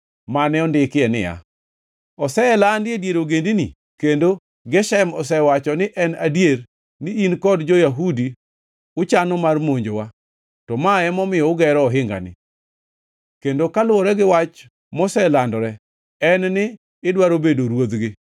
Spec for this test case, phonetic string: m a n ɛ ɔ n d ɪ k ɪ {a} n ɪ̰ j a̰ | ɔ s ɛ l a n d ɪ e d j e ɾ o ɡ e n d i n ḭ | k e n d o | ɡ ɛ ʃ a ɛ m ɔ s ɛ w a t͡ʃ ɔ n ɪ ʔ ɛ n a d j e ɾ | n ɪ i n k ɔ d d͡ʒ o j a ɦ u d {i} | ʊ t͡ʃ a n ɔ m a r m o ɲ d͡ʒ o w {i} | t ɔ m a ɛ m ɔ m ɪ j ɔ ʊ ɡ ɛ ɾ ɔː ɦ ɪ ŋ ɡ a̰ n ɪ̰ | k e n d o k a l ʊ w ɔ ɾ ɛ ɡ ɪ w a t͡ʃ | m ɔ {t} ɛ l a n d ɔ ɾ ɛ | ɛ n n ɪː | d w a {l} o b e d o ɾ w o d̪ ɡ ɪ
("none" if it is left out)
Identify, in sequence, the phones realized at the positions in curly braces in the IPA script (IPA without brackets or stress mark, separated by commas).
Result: ɛ, i, a, s, ɾ